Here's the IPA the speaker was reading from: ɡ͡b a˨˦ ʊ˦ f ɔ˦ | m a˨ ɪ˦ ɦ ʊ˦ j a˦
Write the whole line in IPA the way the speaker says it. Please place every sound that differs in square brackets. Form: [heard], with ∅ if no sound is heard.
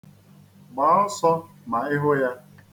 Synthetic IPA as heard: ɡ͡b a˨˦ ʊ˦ [s] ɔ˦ | m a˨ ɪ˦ ɦ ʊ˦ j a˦